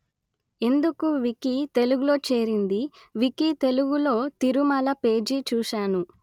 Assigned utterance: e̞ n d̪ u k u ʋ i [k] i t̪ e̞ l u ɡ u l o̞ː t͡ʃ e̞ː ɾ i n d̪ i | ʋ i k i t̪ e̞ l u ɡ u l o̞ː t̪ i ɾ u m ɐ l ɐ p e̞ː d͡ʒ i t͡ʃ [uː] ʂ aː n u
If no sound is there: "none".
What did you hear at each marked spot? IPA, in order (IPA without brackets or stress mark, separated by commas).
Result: k, uː